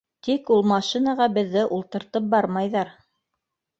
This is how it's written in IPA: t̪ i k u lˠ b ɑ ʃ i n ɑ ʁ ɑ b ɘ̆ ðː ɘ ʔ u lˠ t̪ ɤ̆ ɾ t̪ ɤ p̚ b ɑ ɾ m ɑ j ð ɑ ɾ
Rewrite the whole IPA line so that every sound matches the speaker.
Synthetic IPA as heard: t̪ i k u lˠ m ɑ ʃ i n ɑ ʁ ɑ b ɘ̆ ðː ɘ ʔ u lˠ t̪ ɤ̆ ɾ t̪ ɤ p̚ b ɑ ɾ m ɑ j ð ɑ ɾ